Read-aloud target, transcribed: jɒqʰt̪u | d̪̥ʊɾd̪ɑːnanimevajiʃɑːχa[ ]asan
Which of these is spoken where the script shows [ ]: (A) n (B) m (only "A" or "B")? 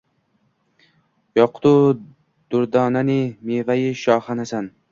A